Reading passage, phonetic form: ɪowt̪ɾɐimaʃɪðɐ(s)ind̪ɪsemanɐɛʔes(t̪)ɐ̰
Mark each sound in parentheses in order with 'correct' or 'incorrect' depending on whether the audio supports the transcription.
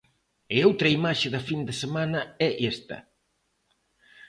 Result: incorrect: f, correct

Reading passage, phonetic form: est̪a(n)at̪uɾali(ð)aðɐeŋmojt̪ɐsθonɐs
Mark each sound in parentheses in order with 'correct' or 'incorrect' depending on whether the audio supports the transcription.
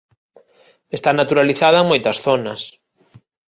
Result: correct, incorrect: θ

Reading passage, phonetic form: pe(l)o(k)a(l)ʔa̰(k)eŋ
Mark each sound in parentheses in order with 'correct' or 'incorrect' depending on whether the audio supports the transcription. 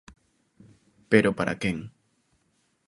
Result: incorrect: ɾ, incorrect: p, incorrect: ɾ, correct

